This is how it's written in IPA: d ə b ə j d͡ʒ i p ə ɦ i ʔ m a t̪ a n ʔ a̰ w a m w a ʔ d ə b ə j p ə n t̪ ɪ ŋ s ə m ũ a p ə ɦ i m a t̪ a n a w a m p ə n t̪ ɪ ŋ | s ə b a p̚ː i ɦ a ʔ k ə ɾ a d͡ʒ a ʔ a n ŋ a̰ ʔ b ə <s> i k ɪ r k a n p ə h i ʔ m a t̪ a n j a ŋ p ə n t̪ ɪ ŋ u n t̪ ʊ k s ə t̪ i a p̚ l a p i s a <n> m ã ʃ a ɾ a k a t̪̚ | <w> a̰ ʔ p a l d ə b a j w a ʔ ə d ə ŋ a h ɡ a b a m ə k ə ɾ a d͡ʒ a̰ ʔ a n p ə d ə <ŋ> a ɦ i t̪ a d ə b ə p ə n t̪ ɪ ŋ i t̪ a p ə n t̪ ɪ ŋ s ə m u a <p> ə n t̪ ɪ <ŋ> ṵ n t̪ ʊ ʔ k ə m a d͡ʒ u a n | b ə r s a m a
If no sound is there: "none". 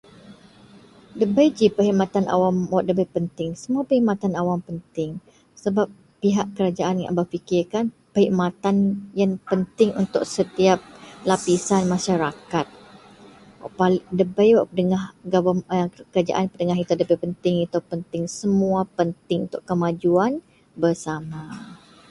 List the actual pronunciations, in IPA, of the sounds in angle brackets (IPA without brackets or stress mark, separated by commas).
f, n, w, ŋ, p, ŋ